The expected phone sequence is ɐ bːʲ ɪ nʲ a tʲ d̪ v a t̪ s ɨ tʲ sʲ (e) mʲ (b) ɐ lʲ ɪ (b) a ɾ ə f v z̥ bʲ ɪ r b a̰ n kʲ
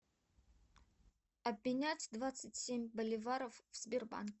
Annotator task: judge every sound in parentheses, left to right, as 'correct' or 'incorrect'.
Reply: correct, correct, incorrect

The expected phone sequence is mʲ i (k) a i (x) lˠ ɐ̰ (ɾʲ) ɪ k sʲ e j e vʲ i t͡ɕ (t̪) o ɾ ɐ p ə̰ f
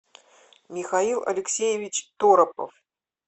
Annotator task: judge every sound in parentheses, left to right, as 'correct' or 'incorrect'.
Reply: incorrect, incorrect, incorrect, correct

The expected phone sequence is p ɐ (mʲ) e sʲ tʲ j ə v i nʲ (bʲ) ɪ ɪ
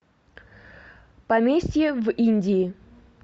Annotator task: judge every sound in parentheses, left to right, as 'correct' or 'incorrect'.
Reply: correct, incorrect

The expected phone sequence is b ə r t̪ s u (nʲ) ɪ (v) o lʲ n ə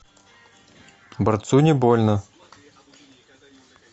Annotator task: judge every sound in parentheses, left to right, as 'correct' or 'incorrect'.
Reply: correct, incorrect

